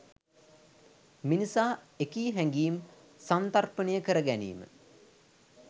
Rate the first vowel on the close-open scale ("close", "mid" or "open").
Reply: close